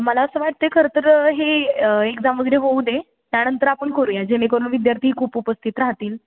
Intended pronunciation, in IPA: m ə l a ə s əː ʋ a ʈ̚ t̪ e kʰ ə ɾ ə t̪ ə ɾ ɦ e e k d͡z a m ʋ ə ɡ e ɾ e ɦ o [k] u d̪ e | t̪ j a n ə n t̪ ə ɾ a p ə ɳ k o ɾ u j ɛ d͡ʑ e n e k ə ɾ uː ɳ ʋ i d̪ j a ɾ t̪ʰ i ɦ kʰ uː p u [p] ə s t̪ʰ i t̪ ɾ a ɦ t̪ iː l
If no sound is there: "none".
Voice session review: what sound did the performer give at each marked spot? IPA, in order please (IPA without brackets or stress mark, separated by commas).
none, p